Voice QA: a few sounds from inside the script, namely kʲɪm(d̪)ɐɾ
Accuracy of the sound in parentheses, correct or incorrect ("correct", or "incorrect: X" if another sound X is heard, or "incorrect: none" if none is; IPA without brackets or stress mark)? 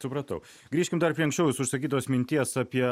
correct